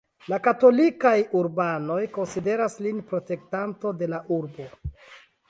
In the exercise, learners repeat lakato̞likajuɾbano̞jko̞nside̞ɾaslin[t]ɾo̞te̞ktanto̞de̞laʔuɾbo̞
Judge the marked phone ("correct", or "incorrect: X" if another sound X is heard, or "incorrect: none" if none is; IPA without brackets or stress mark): incorrect: p